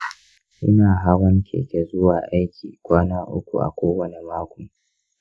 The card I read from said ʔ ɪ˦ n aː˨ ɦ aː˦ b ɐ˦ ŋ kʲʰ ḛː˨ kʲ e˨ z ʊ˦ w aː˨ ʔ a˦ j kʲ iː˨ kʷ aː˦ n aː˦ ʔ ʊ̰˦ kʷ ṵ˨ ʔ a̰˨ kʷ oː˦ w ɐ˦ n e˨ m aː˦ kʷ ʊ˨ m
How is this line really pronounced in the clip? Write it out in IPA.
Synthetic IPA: ʔ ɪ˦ n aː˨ ɦ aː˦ w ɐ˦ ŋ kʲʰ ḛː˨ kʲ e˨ z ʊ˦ w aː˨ ʔ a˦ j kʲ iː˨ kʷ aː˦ n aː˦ ʔ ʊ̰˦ kʷ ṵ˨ ʔ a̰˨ kʷ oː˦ w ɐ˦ n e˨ m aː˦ kʷ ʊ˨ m